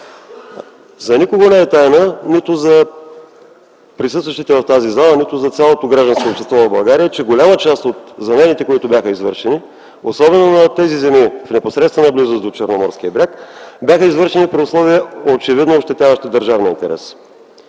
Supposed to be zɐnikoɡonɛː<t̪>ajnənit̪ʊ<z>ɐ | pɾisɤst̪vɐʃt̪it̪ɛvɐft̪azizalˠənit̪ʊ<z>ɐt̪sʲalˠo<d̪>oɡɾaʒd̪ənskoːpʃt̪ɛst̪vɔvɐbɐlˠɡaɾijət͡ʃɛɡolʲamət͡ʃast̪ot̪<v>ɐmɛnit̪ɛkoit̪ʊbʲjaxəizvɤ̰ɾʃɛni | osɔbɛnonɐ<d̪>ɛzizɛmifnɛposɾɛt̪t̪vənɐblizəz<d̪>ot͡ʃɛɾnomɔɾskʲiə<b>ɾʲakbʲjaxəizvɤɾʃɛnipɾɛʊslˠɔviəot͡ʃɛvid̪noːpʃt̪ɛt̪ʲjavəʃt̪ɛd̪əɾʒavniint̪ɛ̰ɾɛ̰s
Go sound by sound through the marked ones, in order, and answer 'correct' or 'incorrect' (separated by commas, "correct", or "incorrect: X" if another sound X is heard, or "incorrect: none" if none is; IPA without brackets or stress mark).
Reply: correct, correct, correct, incorrect: t̪, incorrect: z, incorrect: t̪, correct, correct